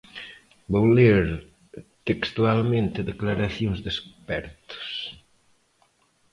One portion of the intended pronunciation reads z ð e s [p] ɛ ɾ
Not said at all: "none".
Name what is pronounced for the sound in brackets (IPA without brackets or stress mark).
p